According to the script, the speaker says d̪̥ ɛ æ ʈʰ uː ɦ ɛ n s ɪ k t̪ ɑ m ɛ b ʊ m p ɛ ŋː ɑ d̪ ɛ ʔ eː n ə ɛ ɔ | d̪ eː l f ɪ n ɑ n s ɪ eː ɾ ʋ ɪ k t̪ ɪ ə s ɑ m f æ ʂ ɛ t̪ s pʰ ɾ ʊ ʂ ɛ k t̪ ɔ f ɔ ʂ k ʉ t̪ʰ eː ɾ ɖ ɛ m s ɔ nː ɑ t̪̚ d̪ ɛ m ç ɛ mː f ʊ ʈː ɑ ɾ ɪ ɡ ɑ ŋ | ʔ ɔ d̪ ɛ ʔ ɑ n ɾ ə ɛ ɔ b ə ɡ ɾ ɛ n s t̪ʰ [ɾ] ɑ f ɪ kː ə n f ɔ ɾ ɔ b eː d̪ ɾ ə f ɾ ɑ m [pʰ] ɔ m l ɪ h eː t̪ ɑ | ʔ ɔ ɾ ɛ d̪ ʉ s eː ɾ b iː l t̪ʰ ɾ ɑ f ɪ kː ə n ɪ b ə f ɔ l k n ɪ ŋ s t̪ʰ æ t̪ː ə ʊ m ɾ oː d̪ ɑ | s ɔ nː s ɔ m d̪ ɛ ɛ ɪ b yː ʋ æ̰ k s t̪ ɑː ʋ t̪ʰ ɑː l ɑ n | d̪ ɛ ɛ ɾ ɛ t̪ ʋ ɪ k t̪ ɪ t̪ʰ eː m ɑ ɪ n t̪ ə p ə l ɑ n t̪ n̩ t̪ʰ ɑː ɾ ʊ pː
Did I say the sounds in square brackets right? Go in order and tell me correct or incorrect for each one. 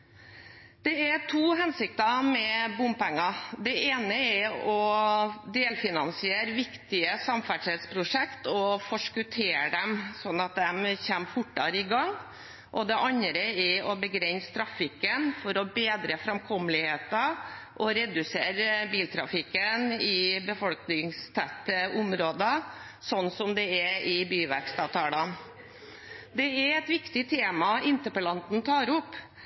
correct, incorrect: kʰ

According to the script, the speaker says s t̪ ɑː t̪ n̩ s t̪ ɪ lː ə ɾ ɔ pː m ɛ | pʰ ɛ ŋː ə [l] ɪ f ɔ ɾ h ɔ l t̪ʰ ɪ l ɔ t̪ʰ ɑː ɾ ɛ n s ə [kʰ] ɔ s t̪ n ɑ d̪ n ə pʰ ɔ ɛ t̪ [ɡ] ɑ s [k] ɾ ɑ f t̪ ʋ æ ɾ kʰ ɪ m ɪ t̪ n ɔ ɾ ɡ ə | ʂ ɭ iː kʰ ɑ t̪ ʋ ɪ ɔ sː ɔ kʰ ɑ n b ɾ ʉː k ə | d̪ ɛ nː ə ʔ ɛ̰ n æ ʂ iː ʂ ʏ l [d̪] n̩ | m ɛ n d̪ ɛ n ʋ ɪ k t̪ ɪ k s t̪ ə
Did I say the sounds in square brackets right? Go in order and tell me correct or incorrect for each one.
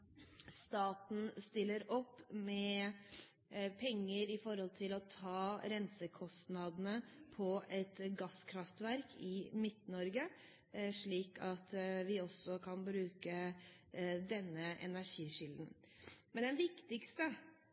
incorrect: ɾ, correct, correct, incorrect: kʰ, correct

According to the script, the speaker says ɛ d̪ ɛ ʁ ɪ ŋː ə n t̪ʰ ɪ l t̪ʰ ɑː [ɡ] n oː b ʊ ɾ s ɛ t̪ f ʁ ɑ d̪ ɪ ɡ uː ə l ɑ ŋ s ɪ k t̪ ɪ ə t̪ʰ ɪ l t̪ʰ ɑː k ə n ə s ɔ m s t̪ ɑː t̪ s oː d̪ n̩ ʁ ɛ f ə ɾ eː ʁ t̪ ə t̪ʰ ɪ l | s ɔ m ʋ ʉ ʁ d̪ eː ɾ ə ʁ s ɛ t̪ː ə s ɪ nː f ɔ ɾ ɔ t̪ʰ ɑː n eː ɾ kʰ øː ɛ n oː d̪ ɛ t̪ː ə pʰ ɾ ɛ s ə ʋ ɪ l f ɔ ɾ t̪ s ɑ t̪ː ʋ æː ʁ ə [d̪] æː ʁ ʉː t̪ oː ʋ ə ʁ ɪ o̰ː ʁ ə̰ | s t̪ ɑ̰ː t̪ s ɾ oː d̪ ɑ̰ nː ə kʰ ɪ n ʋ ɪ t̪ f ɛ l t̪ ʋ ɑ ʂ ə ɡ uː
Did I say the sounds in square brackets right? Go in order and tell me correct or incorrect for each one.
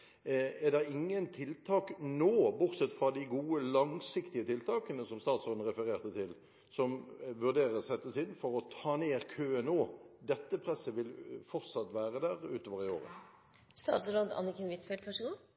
incorrect: k, correct

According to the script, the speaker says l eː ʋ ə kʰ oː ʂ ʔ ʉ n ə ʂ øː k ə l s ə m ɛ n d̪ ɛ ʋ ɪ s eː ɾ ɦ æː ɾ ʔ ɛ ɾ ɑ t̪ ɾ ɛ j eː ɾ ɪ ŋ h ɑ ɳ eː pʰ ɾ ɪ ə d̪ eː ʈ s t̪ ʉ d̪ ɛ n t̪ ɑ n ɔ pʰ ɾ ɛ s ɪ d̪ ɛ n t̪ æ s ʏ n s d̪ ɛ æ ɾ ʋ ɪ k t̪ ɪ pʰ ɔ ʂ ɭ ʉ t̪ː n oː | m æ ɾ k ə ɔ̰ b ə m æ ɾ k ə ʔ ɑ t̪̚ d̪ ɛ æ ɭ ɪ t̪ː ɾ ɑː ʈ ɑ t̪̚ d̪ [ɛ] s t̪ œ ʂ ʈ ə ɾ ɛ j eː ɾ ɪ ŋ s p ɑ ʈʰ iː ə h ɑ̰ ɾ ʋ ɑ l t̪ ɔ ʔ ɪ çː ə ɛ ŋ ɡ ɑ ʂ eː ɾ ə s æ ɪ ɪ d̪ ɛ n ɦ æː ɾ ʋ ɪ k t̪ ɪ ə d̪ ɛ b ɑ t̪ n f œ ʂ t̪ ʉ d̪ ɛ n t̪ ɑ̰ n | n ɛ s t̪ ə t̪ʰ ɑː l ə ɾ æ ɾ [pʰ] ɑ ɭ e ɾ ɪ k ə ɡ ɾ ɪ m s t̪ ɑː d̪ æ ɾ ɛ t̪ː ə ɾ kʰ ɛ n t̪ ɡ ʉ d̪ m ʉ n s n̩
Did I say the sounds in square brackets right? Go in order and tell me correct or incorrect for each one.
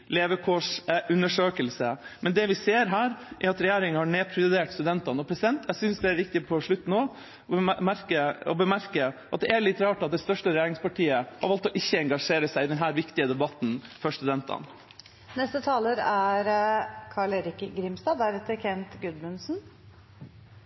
correct, incorrect: kʰ

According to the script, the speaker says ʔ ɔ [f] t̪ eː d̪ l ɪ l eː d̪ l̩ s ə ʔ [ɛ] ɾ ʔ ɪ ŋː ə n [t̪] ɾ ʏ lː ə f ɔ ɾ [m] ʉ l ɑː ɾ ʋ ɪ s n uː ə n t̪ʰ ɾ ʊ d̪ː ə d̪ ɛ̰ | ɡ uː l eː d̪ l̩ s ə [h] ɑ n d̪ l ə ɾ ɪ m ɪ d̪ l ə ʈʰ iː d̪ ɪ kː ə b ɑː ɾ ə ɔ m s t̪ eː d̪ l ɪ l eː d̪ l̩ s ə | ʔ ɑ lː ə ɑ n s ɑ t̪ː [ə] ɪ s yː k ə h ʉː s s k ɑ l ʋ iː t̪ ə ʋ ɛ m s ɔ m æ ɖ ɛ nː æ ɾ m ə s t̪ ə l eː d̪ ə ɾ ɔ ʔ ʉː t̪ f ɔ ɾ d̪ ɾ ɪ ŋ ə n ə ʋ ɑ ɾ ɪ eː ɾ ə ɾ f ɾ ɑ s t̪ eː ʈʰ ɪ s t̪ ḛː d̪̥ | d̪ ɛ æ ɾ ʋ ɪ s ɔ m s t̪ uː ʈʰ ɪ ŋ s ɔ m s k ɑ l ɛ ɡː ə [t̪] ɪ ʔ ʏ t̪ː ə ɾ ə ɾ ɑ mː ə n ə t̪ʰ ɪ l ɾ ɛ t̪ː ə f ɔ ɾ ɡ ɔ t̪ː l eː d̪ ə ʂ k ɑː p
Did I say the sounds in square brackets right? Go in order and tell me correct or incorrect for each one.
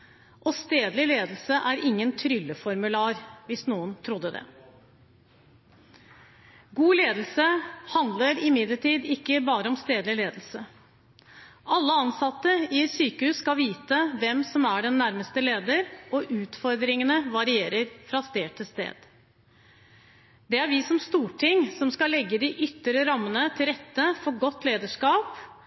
incorrect: s, incorrect: æ, incorrect: t̪ʰ, correct, correct, correct, incorrect: d̪

